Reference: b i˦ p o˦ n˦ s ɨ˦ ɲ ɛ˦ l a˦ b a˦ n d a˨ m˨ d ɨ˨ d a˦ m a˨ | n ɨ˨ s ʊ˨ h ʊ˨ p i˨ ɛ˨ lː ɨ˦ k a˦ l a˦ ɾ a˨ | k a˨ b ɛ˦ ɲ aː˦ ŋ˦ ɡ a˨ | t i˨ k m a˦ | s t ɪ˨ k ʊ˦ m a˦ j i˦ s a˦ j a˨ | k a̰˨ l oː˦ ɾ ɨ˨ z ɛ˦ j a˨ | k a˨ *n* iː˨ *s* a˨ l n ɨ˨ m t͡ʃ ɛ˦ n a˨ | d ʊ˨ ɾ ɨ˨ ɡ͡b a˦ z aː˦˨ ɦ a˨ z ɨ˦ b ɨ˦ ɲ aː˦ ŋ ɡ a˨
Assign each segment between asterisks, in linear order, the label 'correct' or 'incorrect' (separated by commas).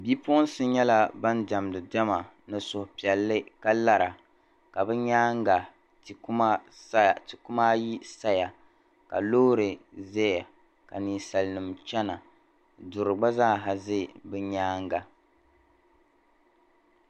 correct, correct